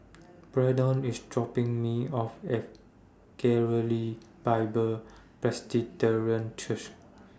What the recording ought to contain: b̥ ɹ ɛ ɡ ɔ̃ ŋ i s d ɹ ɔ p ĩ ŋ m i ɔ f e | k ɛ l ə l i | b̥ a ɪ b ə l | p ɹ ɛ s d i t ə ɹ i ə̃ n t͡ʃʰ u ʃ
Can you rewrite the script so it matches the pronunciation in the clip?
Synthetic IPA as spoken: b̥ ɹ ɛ d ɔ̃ n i s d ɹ ɔ p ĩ ŋ m i ɔ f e | k ɛ ɹ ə l i | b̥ a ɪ b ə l | p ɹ ɛ s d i t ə ɹ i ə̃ n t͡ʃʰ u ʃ